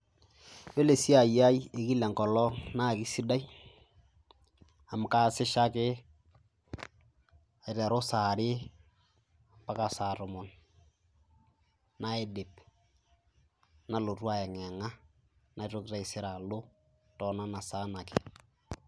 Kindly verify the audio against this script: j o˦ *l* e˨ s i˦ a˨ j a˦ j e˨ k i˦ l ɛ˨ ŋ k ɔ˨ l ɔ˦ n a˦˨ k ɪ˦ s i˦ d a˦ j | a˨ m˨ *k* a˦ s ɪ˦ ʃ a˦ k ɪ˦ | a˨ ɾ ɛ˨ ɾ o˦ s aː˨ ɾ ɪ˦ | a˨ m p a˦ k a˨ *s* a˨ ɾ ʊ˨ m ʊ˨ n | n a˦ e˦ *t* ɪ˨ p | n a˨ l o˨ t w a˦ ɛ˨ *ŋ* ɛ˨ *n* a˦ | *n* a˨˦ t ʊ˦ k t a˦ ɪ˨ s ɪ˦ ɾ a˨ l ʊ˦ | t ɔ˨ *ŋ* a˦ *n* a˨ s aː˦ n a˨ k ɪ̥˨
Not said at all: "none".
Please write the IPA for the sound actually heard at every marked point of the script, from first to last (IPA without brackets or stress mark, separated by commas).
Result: l, k, s, d, ŋ, ŋ, n, n, n